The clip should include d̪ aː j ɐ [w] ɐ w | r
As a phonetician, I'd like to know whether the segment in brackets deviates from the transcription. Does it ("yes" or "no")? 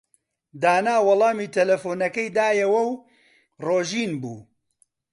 no